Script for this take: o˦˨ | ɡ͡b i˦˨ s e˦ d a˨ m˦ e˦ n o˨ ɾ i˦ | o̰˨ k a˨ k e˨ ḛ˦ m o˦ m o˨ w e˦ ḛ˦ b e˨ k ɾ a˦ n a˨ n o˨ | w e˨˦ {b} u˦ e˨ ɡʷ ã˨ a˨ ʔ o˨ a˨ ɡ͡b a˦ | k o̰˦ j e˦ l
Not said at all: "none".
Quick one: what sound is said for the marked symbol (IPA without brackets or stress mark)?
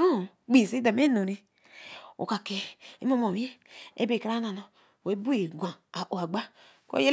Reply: b